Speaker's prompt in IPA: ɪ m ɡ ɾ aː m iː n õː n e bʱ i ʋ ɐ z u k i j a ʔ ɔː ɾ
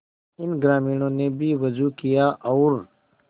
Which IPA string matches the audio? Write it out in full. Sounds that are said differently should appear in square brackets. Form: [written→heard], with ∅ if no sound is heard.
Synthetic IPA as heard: ɪ [m→n] ɡ ɾ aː m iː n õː n e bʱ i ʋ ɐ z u k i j a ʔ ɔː ɾ